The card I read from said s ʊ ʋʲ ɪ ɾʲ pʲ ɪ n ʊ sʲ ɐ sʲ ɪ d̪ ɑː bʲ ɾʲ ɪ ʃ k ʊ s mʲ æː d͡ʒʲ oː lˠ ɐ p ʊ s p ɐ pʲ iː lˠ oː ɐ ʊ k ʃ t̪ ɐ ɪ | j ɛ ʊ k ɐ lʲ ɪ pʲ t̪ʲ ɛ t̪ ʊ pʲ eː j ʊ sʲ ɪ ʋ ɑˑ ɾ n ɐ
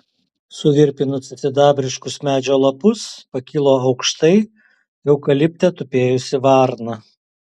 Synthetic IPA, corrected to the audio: s ʊ ʋʲ ɪ ɾʲ pʲ ɪ n ʊ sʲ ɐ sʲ ɪ d̪ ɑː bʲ ɾʲ ɪ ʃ k ʊ s mʲ æː d͡ʒʲ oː lˠ ɐ p ʊ s p ɐ kʲ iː lˠ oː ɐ ʊ k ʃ t̪ ɐ ɪ | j ɛ ʊ k ɐ lʲ ɪ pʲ t̪ʲ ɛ t̪ ʊ pʲ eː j ʊ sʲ ɪ ʋ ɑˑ ɾ n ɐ